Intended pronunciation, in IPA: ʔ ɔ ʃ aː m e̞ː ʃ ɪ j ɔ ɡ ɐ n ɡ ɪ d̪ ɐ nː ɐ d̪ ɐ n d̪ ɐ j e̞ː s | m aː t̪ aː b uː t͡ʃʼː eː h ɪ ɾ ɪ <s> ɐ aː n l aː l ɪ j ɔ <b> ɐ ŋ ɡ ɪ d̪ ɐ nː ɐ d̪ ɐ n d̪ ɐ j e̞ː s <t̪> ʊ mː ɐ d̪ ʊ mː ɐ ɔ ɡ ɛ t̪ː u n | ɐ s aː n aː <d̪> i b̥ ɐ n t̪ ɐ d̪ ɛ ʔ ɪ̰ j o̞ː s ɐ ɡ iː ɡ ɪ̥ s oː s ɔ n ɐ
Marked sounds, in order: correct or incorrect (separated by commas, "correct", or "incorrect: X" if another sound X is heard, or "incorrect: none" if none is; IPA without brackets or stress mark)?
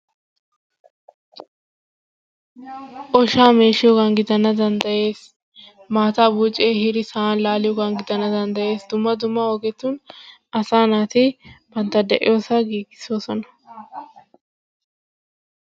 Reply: correct, incorrect: ɡ, incorrect: d̪, incorrect: t̪